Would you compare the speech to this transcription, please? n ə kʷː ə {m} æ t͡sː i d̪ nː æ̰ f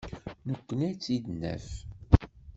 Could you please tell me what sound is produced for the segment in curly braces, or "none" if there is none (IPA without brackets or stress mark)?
n